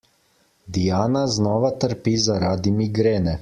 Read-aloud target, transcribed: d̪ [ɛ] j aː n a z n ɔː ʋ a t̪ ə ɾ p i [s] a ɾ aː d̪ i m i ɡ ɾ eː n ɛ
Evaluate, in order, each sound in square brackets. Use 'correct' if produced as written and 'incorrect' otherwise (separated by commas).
incorrect, incorrect